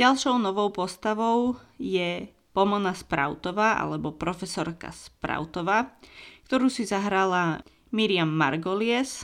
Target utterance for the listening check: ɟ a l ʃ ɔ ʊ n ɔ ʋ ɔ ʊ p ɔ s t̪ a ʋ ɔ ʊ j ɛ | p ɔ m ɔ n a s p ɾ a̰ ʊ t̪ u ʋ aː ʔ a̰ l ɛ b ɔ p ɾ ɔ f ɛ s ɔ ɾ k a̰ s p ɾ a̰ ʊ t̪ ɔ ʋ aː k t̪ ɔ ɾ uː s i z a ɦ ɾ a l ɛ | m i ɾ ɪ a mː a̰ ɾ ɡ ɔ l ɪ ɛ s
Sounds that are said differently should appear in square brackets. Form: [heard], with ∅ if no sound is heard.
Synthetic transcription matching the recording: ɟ a l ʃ ɔ ʊ n ɔ ʋ ɔ ʊ p ɔ s t̪ a ʋ ɔ ʊ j ɛ | p ɔ m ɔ n a s p ɾ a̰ ʊ t̪ [ɔ] ʋ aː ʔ a̰ l ɛ b ɔ p ɾ ɔ f ɛ s ɔ ɾ k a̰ s p ɾ a̰ ʊ t̪ ɔ ʋ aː k t̪ ɔ ɾ uː s i z a ɦ ɾ a l [a] | m i ɾ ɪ a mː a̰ ɾ ɡ ɔ l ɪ ɛ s